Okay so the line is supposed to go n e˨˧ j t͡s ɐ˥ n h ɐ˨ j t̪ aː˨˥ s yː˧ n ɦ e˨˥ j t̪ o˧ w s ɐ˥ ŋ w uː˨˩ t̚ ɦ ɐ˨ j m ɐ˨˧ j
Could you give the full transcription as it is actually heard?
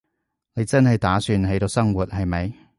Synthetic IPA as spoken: n e˨˧ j t͡s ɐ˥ n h ɐ˨ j t̪ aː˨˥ s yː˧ n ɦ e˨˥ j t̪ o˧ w s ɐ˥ ŋ w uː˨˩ t̚ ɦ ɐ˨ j m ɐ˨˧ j